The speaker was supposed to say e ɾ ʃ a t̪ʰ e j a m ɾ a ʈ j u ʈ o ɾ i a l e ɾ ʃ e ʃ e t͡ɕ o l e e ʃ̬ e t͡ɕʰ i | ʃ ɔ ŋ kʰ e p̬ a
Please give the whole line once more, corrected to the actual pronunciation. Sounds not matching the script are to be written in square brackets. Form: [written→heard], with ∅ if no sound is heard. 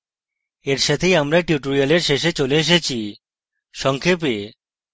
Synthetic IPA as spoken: e ɾ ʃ a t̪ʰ e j a m ɾ a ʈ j u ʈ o ɾ i a l e ɾ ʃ e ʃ e t͡ɕ o l e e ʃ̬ e t͡ɕʰ i | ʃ ɔ ŋ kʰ e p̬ [a→e]